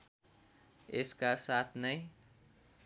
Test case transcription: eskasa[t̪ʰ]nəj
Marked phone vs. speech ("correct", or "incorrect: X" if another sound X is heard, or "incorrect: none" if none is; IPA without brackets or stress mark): correct